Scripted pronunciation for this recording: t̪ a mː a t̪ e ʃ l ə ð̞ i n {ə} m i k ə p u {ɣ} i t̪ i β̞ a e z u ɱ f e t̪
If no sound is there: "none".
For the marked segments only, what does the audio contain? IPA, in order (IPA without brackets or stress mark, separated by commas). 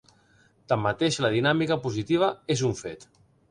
a, z